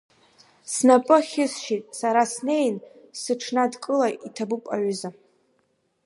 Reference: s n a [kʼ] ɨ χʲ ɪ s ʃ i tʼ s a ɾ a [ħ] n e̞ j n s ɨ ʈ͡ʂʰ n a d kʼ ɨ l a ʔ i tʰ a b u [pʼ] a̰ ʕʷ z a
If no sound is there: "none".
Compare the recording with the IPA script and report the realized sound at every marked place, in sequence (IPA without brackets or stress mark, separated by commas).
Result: pʼ, s, pʼ